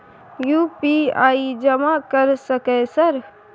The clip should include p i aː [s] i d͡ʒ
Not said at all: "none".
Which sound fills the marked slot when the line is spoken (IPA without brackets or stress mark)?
none